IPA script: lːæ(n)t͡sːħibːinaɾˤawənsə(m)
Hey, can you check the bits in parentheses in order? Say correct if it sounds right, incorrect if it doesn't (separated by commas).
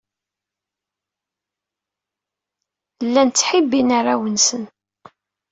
correct, incorrect